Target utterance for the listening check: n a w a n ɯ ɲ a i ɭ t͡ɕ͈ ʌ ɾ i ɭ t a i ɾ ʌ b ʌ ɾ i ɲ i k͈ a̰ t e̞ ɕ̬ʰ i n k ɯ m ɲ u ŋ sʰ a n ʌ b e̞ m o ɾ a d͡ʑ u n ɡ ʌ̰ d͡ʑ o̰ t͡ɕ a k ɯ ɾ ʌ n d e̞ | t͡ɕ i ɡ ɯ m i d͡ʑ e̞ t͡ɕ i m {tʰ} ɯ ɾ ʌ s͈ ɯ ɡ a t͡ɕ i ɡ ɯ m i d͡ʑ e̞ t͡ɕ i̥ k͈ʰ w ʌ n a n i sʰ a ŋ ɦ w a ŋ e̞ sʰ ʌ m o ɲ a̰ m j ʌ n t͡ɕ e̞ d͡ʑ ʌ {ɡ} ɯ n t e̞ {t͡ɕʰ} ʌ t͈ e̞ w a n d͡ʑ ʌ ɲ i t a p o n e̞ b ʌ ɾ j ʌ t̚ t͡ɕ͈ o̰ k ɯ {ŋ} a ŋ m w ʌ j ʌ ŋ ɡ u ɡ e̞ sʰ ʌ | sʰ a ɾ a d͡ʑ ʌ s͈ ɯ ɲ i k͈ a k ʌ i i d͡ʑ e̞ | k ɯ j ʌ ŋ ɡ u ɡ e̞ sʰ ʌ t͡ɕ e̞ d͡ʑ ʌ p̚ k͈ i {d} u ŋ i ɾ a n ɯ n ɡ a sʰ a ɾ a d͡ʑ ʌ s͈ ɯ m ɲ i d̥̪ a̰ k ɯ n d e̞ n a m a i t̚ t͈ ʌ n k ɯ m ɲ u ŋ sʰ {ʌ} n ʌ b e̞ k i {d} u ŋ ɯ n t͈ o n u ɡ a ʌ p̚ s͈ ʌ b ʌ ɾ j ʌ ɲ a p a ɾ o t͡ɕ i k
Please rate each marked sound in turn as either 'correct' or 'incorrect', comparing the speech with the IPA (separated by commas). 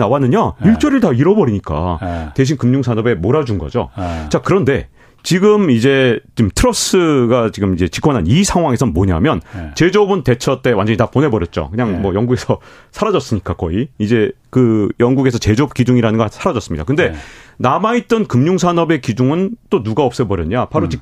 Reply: correct, incorrect, correct, incorrect, incorrect, incorrect, incorrect